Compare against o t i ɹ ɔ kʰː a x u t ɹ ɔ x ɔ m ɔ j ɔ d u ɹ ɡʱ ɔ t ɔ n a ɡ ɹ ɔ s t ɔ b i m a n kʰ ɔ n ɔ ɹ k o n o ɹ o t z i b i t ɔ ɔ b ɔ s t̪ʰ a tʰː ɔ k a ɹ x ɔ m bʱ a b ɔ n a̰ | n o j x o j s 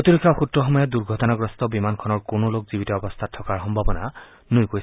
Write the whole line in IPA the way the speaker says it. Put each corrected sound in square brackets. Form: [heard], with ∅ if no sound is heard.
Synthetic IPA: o t i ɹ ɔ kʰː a x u t ɹ ɔ x ɔ m ɔ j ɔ d u ɹ ɡʱ ɔ t ɔ n a ɡ ɹ ɔ s t ɔ b i m a n kʰ ɔ n ɔ ɹ k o n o [l] o [k] z i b i t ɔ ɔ b ɔ s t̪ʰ a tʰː ɔ k a ɹ x ɔ m bʱ a b ɔ n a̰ | n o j [k] o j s